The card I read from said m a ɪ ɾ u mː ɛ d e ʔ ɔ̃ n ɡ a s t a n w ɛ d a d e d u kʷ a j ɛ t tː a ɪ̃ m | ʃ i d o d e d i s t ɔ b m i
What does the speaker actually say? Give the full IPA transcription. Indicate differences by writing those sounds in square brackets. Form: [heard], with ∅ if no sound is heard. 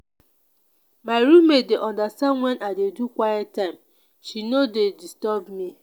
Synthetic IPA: m a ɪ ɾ u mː [e] d e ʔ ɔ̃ n [d] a s t a n w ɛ [n] a d e d u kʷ a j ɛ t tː a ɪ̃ m | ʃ i [n] o d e d i s t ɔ b m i